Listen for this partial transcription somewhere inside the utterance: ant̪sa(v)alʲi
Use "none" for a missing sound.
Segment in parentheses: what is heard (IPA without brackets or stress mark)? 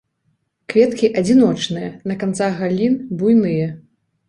ɣ